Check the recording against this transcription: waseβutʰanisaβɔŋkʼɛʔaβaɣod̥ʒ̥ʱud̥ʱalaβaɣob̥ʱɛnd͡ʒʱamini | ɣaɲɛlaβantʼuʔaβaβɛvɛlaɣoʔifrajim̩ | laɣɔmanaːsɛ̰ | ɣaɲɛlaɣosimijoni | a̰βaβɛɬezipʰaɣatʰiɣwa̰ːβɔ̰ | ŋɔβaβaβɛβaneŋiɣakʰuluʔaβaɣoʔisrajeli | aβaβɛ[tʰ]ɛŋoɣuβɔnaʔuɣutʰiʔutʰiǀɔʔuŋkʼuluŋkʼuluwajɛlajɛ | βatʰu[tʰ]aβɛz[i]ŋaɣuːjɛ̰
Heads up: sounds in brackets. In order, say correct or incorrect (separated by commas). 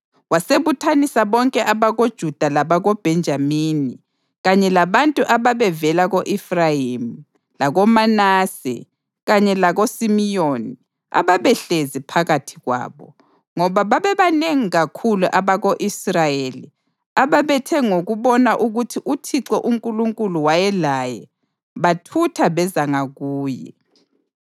correct, correct, incorrect